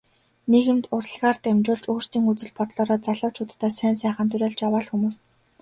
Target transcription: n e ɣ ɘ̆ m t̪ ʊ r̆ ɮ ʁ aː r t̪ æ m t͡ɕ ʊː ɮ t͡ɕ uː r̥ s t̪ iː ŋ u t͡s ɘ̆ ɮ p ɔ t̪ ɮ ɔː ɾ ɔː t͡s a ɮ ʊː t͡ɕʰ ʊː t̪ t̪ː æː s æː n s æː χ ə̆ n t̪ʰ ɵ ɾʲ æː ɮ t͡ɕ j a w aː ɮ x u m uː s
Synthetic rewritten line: n e ɣ ɘ̆ m t̪ ʊ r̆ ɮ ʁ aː r t̪ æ m t͡ɕ ʊː ɮ t͡ɕ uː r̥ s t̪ iː ŋ u t͡s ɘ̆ ɮ p ɔ t̪ ɮ ɔː ɾ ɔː t͡s a ɮ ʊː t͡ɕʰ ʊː t̪ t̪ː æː s æː n s æː χ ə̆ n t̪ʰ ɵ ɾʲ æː ɮ t͡ɕ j a w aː ɮ x u m uː s

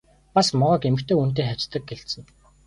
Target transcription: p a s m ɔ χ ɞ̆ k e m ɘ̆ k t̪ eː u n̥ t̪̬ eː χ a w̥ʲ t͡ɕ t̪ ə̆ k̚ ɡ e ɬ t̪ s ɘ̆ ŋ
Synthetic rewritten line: p a s m ɔ ʁ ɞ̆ k e m ɘ̆ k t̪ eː u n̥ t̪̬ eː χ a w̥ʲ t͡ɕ t̪ ə̆ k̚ ɡ e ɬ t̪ s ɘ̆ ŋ

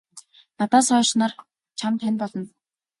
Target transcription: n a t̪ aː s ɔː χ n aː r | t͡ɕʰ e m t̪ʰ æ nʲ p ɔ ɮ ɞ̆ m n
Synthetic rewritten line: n a t̪ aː s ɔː ʃ n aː r | t͡ɕʰ a m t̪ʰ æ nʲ p ɔ ɮ ɞ̆ n

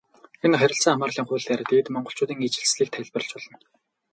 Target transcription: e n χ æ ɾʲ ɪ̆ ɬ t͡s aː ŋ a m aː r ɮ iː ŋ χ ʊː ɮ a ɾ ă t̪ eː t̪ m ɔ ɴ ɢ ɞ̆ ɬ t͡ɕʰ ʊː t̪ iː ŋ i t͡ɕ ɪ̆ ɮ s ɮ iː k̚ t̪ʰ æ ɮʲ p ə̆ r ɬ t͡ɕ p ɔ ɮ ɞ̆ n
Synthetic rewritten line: e n χ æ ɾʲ ɪ̆ ɬ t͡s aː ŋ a m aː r ɮ iː ŋ χ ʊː ɮ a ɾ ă t̪ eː t̪ m ɔ ɴ ɢ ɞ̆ ɬ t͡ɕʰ ʊː t̪ iː ŋ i t͡ɕ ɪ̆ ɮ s ɮ iː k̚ t̪ʰ æ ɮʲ p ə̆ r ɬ t͡ɕ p ɔ ɮ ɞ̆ n

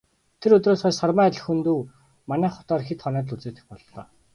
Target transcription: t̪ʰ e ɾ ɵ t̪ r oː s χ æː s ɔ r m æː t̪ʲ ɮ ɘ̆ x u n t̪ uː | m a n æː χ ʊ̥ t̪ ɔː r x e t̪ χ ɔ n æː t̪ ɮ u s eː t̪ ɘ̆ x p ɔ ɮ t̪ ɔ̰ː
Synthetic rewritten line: t̪ʰ e ɾ ɵ t̪ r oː s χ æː s ɔ r m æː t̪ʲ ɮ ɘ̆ x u n t̪ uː | m a n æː χ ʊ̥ t̪ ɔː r x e t̪ χ ɔ n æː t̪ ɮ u t͡s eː t̪ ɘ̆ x p ɔ ɮ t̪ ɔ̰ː

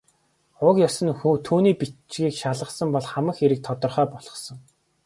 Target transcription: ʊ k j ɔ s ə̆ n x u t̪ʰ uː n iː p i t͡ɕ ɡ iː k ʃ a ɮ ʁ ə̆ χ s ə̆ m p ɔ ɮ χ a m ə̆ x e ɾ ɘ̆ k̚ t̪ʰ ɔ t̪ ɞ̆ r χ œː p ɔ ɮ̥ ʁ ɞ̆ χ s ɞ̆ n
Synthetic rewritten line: ʊ k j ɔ s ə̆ n x u t̪ʰ uː n iː p i t͡ɕ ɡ iː k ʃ a ɮ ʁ ə̆ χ s ə̆ m p ɔ ɮ χ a m ə̆ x e ɾ ɘ̆ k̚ t̪ʰ ɔ t̪ ɞ̆ r χ œː p ɔ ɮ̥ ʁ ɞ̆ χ s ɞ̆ ŋ

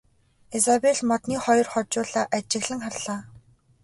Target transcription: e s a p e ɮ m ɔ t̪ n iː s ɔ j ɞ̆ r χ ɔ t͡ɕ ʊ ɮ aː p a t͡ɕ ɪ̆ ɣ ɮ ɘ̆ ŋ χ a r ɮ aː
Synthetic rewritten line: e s a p e ɮ m ɔ t̪ n iː χ ɔ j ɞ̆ r χ ɔ t͡ɕ ʊː ɮ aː ʔ a t͡ɕ ɪ̆ ɣ ɮ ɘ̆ ŋ χ a r ɮ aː

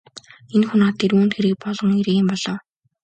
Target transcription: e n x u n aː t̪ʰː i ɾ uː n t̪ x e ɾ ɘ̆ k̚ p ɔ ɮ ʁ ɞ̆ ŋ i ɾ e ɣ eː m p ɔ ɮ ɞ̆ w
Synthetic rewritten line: e n x u n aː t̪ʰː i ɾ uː n t̪ x e ɾ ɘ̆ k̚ p ɔ ɮ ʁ ɞ̆ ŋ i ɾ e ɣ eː m p ɔ ɮ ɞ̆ w

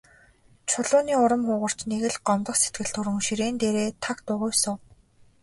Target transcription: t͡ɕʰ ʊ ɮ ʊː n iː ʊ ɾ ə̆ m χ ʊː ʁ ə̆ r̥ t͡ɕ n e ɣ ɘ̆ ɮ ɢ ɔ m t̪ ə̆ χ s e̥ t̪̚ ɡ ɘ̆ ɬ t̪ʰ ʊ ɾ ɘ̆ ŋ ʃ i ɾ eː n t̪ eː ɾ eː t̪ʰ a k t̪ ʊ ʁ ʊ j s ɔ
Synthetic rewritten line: t͡ɕʰ ʊ ɮ ʊː n iː ʊ ɾ ə̆ m χ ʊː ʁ ə̆ r̥ t͡ɕ n e ɣ ɘ̆ ɮ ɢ ɔ m t̪ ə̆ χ s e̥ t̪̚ ɡ ɘ̆ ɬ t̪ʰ ʊ ɾ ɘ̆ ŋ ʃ i ɾ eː n t̪ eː ɾ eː t̪ʰ a k t̪ ʊ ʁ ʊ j s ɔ

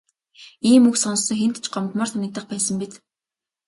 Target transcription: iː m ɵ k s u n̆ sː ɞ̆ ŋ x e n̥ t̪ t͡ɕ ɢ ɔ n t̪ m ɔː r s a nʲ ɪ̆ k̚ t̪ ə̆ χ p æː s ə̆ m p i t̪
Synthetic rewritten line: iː m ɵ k s ɔ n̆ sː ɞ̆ ŋ x e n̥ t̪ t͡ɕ ɢ ɔ m t̪ m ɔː r s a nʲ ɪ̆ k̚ t̪ ə̆ χ p æː s ə̆ m p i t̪

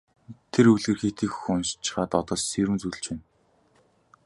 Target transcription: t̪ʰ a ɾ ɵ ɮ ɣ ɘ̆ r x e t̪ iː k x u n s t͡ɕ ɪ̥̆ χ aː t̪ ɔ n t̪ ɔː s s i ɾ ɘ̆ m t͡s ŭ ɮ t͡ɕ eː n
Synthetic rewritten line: t̪ʰ e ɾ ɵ ɮ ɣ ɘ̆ r x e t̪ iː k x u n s t͡ɕ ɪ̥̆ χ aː t̪ ɔ t̪ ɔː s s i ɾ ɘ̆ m t͡s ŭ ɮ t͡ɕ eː n

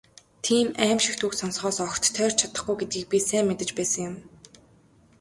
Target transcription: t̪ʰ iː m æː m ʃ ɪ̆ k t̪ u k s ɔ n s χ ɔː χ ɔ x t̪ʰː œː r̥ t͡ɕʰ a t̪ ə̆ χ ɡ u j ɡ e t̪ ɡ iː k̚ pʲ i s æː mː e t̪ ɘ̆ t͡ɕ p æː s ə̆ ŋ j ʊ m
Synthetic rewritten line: t̪ʰ iː m æː m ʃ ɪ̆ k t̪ u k s ɔ n s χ ɔː s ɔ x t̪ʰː œː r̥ t͡ɕʰ a t̪ ə̆ χ ɡ u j ɡ e t̪ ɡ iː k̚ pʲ i s æː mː e t̪ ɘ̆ t͡ɕ p æː s ə̆ ŋ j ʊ m

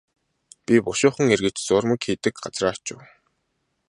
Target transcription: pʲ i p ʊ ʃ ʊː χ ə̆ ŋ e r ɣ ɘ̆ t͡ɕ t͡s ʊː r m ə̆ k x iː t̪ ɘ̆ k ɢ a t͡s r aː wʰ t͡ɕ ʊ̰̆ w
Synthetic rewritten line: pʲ i p ʊ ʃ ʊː χ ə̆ ŋ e r ɣ ɘ̆ t͡ɕ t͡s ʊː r m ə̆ k x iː t̪ ɘ̆ k ɢ a t͡s r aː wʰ t͡ɕ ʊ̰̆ w

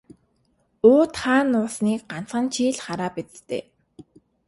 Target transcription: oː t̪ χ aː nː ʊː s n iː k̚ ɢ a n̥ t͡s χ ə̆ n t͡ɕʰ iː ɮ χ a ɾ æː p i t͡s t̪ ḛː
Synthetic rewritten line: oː t̪ χ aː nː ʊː s n iː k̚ ɢ a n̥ t͡s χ ə̆ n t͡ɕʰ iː ɮ χ a ɾ aː p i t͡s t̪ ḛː

